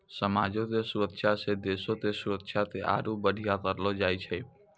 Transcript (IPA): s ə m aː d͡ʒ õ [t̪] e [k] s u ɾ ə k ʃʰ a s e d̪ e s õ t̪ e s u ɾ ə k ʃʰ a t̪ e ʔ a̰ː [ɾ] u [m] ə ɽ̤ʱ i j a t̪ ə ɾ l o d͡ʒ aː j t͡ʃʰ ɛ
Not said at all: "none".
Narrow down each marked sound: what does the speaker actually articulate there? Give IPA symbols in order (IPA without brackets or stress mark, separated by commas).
t̪, none, ɾ, b